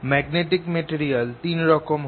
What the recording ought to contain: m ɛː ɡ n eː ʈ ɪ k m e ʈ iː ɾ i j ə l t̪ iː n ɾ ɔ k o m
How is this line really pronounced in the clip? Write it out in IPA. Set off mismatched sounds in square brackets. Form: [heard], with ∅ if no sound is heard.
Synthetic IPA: m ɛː ɡ n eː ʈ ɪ k m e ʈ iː ɾ i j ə l t̪ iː n ɾ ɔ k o m